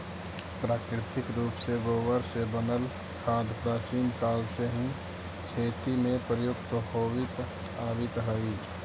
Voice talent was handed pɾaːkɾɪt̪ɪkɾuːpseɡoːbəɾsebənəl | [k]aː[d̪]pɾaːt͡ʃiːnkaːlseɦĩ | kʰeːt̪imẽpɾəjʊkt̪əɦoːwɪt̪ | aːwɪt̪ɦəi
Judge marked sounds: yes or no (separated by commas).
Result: no, yes